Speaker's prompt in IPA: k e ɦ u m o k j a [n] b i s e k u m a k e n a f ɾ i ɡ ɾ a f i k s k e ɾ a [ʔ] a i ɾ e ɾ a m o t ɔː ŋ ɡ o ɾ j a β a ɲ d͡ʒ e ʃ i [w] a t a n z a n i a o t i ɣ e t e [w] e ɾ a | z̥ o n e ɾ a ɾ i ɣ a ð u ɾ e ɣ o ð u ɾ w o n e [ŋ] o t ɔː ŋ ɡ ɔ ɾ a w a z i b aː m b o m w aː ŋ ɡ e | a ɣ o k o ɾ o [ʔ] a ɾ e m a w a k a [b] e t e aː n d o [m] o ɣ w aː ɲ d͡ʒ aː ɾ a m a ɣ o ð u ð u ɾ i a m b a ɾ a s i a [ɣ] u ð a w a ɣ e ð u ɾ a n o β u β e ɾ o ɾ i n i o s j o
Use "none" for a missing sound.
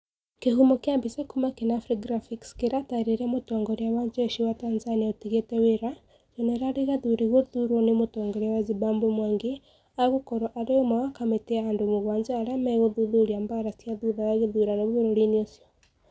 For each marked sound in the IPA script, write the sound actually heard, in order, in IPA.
m, t, w, w, m, ʔ, m, m, ð

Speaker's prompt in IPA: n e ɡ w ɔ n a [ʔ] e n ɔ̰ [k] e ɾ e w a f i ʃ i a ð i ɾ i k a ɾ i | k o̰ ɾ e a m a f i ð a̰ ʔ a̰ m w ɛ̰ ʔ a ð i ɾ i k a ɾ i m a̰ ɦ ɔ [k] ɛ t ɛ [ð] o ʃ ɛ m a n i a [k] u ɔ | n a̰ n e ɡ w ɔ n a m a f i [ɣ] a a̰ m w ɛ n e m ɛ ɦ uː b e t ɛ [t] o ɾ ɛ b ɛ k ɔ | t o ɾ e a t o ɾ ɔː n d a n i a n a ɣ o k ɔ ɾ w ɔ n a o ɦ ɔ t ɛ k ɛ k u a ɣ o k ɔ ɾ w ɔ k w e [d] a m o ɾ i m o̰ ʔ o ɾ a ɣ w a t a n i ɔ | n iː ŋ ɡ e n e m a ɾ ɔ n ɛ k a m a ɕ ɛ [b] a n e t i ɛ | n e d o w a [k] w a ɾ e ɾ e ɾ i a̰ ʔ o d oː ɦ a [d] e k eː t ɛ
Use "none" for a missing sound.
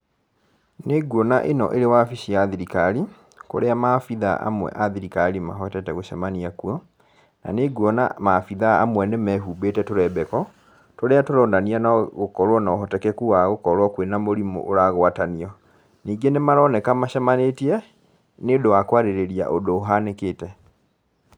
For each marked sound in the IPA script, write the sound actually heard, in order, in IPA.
ʔ, ʔ, t, ɣ, k, ð, t, n, m, k, n

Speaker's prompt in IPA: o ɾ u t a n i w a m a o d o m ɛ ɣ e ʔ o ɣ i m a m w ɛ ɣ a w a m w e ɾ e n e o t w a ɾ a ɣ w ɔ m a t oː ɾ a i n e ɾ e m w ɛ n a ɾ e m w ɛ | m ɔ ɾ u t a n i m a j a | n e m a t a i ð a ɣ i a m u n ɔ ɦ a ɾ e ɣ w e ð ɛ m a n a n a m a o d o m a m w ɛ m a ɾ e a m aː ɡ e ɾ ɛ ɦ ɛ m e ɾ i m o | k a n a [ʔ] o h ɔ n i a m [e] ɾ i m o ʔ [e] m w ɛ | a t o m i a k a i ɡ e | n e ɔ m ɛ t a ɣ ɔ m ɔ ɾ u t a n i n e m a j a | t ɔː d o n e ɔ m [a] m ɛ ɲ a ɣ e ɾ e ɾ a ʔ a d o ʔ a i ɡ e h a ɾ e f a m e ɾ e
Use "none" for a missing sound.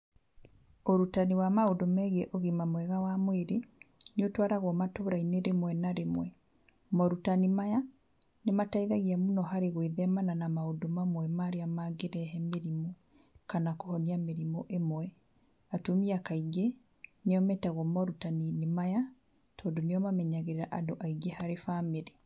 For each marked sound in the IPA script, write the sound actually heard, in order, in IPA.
k, e, e, a

